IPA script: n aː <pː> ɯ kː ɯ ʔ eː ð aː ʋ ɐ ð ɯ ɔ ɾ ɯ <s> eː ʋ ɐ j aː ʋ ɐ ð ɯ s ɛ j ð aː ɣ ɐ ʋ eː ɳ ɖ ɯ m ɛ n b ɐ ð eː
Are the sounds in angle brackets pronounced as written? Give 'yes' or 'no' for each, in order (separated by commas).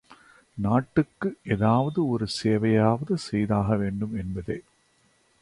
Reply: no, yes